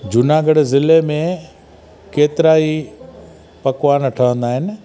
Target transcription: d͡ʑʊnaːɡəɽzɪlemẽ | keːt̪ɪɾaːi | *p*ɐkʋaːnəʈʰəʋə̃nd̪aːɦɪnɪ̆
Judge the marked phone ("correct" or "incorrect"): correct